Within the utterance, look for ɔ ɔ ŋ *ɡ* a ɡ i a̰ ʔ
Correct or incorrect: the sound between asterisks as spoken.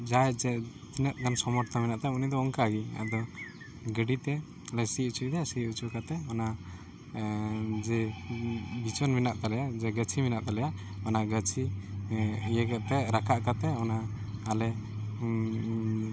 incorrect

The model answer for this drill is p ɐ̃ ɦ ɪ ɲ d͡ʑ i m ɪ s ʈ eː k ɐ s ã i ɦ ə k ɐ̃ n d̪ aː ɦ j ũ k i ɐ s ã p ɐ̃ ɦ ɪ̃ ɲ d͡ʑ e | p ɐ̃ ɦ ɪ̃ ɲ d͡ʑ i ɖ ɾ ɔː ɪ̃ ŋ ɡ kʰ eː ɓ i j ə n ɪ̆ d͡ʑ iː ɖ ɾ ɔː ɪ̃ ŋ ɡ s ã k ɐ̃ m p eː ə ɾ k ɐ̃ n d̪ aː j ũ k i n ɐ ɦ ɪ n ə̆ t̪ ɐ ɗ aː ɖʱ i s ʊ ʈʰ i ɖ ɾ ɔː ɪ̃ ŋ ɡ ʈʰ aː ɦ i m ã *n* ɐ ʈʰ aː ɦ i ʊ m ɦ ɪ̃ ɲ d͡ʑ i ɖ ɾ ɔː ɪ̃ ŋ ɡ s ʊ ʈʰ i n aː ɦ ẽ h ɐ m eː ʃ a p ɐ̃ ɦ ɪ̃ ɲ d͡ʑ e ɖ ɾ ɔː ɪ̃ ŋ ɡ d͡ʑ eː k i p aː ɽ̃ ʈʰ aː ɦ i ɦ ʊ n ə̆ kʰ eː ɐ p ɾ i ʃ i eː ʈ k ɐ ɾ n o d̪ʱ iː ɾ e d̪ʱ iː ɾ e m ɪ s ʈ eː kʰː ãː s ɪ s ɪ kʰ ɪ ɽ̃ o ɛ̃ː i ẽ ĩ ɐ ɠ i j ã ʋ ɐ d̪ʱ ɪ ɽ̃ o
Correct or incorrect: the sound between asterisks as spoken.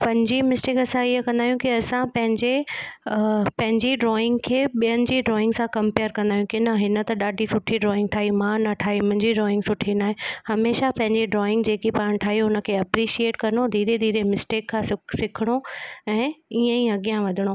correct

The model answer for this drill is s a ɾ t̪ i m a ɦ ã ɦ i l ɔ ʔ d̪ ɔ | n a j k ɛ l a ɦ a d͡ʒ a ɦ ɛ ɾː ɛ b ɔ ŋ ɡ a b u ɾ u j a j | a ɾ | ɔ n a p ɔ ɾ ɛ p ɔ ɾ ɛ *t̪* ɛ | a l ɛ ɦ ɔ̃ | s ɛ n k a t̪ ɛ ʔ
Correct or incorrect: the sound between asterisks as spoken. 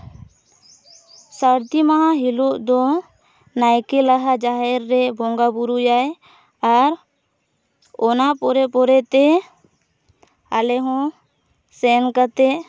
correct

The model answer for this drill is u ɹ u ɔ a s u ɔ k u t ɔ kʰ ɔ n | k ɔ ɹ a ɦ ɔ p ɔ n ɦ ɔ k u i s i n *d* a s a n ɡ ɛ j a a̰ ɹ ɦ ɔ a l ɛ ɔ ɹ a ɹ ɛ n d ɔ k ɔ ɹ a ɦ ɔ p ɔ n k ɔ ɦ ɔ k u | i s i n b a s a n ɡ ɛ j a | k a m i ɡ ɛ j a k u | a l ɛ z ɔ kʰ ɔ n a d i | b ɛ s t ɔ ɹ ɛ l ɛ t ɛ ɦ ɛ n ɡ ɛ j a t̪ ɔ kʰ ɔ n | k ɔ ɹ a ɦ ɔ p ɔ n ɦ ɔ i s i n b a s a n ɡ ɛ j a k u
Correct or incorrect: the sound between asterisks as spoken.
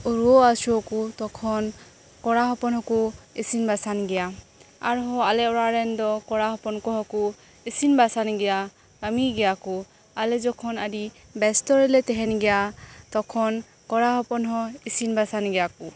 incorrect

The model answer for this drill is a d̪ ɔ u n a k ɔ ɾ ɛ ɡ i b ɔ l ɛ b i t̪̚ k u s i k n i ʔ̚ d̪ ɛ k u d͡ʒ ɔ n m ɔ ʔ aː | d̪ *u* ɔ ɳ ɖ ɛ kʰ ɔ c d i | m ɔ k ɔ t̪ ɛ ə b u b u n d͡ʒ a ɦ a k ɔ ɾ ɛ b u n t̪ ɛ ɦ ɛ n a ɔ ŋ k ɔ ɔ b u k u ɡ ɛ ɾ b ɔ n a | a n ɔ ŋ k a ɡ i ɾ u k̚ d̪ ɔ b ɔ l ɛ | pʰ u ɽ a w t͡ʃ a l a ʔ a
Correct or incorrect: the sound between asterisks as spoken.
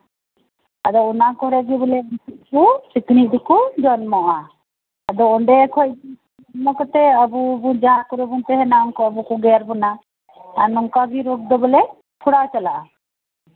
incorrect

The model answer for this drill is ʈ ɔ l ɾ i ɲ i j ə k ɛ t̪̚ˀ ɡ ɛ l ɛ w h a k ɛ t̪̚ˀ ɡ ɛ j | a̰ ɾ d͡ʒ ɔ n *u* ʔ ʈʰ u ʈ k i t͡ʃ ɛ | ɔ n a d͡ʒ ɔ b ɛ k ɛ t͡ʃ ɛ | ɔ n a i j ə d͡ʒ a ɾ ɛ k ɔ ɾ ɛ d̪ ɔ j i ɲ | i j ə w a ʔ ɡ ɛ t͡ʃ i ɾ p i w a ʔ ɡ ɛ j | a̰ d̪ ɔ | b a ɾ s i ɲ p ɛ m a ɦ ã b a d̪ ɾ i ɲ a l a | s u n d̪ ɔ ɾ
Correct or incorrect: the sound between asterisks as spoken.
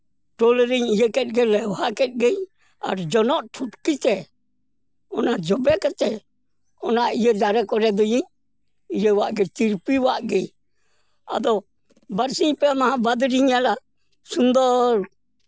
incorrect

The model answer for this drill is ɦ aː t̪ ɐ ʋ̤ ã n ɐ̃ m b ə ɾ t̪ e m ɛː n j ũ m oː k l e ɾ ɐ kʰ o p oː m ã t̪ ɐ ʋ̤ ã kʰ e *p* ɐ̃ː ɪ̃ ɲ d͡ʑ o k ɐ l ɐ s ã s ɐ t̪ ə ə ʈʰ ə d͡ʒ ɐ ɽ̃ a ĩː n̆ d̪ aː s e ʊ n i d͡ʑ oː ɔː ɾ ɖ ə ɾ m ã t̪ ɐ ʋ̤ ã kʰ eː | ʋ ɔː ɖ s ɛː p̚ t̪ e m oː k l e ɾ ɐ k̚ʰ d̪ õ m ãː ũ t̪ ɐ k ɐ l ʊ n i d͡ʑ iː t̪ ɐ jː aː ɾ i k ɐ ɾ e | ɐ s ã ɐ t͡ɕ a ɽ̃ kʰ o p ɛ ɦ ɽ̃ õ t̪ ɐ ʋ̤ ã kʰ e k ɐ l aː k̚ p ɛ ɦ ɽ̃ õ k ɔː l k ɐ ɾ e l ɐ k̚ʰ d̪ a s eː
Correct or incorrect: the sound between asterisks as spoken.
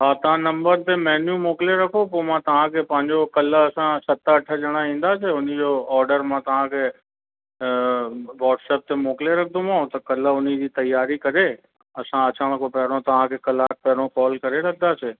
correct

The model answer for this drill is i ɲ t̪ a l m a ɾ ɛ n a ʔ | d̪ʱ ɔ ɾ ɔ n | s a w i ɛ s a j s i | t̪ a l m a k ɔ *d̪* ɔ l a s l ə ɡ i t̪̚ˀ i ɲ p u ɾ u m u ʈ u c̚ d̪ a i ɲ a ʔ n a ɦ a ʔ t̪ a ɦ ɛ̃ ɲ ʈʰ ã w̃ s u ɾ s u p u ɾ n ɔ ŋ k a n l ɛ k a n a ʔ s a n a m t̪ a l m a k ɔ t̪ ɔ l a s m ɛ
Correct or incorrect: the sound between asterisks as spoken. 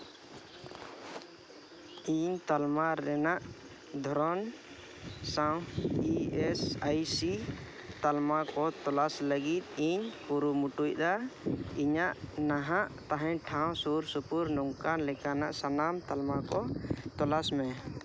incorrect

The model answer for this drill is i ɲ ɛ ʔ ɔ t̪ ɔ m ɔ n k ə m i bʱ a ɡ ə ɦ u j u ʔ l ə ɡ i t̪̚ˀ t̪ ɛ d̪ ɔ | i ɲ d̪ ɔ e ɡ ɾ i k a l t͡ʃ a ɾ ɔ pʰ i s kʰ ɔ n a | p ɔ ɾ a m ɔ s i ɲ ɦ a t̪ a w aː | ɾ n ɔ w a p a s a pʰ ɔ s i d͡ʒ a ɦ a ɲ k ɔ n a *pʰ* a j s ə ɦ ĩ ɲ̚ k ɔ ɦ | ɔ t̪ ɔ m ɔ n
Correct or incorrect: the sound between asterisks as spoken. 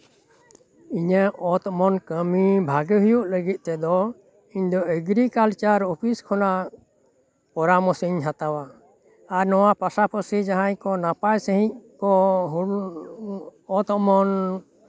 incorrect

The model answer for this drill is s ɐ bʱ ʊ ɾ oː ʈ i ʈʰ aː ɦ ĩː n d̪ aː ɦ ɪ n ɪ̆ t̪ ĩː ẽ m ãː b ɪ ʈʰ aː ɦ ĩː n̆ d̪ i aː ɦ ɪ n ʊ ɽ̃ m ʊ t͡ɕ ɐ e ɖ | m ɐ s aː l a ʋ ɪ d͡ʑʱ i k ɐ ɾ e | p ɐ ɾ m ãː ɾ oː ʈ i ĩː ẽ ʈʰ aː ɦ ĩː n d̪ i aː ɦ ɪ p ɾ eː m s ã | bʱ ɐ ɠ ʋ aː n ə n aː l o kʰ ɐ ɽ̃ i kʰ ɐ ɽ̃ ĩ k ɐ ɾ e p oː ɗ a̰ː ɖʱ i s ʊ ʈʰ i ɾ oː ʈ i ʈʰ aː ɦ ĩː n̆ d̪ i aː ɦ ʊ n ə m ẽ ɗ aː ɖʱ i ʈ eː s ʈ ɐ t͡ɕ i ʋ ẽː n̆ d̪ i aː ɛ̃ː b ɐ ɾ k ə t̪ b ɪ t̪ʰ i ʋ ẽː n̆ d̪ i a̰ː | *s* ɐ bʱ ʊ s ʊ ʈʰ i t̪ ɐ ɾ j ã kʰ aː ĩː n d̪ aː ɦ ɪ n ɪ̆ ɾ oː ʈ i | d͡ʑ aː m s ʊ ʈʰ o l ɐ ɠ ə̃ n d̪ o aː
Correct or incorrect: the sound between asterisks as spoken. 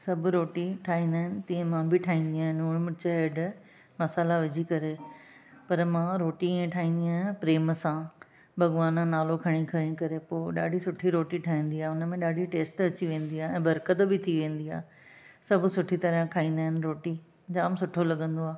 correct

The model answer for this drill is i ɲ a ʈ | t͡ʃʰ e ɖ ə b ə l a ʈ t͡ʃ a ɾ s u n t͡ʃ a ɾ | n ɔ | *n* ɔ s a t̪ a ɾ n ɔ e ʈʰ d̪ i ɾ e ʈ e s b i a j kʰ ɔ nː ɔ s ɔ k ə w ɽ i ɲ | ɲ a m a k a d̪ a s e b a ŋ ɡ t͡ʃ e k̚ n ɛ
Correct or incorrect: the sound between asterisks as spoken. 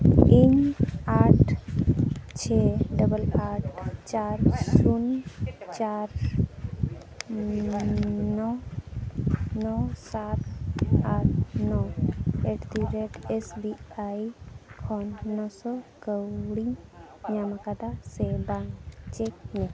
correct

